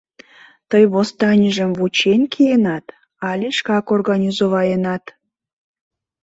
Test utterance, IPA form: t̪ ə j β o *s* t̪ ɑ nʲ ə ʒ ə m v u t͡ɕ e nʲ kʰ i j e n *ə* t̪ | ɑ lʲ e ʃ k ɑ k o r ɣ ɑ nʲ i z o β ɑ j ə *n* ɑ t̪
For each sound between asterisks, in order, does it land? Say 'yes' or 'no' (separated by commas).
yes, no, yes